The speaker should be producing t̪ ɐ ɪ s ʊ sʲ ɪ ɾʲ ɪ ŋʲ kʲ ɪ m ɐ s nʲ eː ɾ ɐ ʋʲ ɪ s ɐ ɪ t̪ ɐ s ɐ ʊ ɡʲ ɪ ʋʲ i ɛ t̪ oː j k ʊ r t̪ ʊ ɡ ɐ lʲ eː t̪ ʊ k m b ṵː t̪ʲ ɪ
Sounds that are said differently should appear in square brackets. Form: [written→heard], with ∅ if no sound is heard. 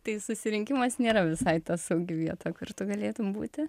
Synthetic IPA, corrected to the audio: t̪ ɐ ɪ s ʊ sʲ ɪ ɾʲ ɪ ŋʲ kʲ ɪ m ɐ s nʲ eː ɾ ɐ ʋʲ ɪ s ɐ ɪ t̪ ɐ s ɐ ʊ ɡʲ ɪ ʋʲ i ɛ t̪ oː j k ʊ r t̪ ʊ ɡ ɐ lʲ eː t̪ ʊ [k→∅] m b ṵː t̪ʲ ɪ